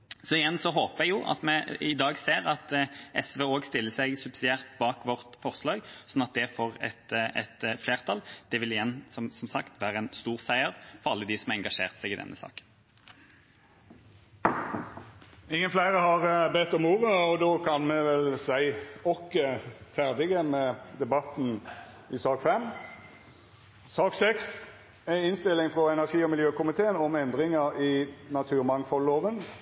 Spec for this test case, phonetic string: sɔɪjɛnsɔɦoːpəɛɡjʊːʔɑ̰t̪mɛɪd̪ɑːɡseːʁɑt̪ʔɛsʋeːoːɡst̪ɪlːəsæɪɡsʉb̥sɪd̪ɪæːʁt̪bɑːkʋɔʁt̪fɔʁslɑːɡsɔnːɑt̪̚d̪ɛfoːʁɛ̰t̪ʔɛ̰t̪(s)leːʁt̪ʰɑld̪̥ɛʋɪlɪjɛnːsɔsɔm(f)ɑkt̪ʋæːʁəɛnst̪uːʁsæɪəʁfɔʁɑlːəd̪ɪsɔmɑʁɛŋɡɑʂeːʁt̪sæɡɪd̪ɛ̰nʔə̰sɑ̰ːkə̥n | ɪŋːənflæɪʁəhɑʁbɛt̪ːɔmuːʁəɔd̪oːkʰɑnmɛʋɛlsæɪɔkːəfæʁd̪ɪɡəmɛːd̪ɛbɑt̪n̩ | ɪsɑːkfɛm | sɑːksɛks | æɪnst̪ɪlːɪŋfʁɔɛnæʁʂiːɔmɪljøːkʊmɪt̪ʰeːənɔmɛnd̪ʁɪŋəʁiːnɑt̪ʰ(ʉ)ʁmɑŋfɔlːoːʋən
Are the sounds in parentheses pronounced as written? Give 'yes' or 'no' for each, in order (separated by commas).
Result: no, no, no